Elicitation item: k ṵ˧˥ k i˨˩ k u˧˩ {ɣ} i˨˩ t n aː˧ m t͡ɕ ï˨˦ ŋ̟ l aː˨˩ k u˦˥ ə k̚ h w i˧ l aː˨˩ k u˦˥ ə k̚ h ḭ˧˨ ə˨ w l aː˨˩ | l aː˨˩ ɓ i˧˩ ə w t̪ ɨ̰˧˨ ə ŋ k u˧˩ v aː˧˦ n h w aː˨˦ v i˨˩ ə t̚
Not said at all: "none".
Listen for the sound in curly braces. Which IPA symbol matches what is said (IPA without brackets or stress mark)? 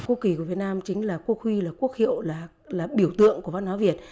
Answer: v